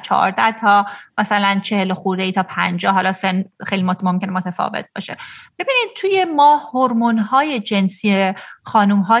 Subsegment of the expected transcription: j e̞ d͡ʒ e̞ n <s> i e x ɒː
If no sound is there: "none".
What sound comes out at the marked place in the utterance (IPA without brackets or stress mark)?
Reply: s